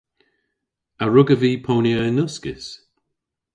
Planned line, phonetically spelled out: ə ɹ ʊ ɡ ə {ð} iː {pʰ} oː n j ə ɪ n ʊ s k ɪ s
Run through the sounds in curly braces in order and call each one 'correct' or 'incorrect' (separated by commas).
incorrect, correct